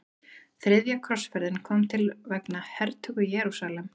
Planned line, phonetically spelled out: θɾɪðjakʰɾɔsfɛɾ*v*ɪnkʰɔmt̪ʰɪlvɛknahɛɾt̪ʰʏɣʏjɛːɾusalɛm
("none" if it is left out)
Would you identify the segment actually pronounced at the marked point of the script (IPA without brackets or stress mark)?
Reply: ð